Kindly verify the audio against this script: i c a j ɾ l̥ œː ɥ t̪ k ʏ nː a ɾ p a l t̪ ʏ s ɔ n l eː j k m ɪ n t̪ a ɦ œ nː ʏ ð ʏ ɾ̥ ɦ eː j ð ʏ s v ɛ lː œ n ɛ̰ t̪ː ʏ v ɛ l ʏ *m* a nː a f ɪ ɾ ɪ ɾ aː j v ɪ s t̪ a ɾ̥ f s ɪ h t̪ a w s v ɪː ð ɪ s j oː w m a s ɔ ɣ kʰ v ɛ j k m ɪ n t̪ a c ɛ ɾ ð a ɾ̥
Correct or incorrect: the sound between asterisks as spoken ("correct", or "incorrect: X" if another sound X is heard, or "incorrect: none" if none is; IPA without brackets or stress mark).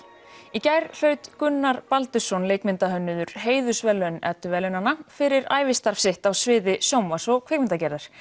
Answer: incorrect: n